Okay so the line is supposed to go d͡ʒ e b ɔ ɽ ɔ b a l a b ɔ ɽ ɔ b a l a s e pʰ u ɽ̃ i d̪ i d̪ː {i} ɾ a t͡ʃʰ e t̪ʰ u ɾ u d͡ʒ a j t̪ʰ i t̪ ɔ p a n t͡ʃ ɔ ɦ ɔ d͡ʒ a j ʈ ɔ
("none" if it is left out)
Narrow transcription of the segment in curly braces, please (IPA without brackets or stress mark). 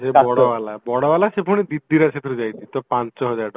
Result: i